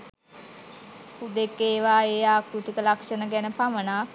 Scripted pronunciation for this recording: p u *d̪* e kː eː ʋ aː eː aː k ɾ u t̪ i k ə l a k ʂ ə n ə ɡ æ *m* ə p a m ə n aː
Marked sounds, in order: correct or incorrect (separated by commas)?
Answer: correct, incorrect